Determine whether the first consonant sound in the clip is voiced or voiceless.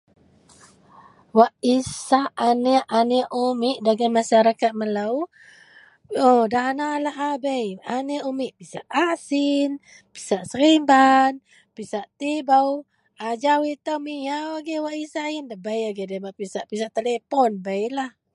voiced